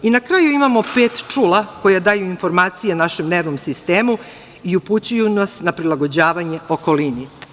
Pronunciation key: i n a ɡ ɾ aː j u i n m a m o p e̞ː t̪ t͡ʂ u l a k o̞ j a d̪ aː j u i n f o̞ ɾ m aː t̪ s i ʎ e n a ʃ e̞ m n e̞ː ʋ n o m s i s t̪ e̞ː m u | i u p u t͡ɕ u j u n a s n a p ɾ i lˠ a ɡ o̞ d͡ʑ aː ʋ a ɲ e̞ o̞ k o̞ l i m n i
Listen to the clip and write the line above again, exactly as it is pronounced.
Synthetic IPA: i n a k ɾ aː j u i m a m o p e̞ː t̪ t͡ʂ u l a k o̞ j a d̪ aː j u i n f o̞ ɾ m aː t̪ s i j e n a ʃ e̞ m n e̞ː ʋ n o m s i s t̪ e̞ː m u | i u p u t͡ɕ u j u n a s n a p ɾ i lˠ a ɡ o̞ d͡ʑ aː ʋ a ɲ e̞ o̞ k o̞ l i n i